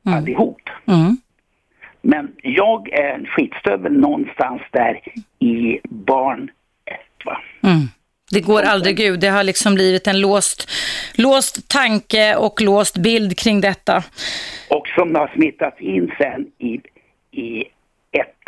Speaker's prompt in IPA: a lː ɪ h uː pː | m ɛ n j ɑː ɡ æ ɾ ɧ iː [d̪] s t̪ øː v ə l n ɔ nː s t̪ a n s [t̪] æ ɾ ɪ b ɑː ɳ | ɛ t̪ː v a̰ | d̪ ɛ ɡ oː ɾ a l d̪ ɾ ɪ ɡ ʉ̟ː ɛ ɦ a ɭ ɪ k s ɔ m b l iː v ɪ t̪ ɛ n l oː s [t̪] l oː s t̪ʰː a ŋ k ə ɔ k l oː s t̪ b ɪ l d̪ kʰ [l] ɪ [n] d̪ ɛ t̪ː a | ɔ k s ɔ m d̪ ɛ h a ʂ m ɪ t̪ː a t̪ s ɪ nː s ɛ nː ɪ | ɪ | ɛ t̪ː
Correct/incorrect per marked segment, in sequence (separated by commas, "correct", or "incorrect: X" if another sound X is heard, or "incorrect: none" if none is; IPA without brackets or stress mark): incorrect: t̪, incorrect: d̪, correct, incorrect: ɾ, incorrect: ŋ